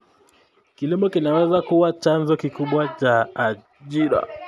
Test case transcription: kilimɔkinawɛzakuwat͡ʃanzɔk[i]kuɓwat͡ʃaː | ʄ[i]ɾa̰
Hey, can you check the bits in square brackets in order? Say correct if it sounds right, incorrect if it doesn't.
correct, correct

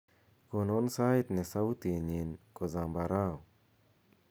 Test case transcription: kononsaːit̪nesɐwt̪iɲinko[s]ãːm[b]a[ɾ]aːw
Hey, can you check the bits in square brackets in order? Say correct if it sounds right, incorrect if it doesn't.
incorrect: z, correct, correct

